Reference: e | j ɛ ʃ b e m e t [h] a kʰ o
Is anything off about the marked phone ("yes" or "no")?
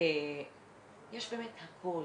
no